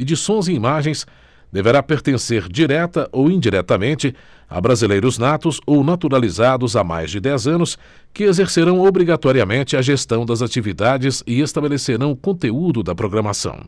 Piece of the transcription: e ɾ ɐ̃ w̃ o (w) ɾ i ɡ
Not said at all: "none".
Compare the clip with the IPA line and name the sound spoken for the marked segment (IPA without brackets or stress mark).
b